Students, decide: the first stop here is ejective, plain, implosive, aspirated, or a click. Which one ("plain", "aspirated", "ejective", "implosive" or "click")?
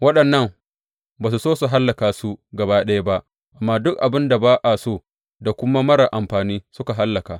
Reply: implosive